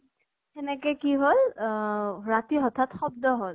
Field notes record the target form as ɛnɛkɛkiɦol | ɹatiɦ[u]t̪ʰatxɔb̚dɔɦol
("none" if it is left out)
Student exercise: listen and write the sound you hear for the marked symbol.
ɔ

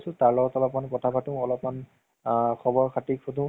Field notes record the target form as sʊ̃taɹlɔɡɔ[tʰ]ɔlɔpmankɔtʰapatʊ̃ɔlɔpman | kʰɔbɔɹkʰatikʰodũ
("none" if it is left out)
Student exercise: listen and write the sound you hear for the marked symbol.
t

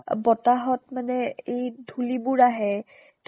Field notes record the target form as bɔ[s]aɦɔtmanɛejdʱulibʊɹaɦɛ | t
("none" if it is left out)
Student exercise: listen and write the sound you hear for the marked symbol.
t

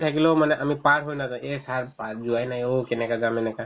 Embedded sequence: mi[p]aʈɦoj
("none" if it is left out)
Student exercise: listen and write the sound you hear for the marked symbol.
p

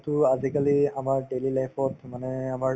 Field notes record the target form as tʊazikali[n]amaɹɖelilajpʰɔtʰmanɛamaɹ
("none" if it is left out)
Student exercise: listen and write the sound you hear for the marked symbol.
none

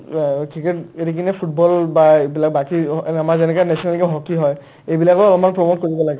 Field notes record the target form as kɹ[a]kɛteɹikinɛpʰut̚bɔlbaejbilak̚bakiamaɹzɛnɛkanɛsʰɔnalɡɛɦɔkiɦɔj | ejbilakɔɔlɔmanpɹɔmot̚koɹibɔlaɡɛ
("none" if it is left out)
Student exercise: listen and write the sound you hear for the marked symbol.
i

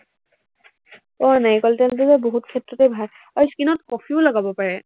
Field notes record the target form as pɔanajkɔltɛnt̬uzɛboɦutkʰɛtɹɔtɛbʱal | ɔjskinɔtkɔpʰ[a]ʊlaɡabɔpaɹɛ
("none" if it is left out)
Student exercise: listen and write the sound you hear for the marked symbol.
i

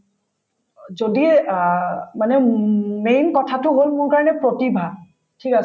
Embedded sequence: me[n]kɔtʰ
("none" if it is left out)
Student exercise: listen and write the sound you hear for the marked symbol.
n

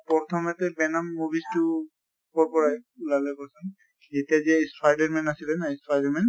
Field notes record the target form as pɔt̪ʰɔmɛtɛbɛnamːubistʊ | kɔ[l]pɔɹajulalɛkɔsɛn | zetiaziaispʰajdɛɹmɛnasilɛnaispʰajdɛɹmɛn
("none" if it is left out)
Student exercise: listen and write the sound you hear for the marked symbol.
ɹ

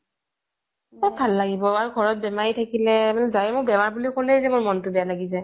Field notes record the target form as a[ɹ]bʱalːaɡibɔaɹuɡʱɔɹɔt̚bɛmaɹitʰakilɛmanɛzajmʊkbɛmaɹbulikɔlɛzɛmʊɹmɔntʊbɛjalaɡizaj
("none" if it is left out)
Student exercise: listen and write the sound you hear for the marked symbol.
none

